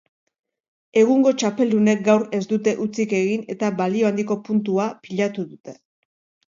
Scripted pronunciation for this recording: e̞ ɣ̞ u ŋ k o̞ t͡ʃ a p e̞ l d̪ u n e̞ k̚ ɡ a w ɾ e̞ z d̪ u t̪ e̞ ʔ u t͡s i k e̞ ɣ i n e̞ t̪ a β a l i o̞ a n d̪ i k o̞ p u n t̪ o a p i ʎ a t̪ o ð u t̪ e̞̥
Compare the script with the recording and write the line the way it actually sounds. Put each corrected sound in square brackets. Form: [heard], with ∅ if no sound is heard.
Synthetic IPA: e̞ ɣ̞ u ŋ [ɡ] o̞ t͡ʃ a p e̞ l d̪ u n e̞ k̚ ɡ a w ɾ e̞ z d̪ u t̪ e̞ ʔ u t͡s i k e̞ ɣ i n e̞ t̪ a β a l i o̞ a n d̪ i k o̞ p u n t̪ [u] a p i ʎ a t̪ [u] ð u t̪ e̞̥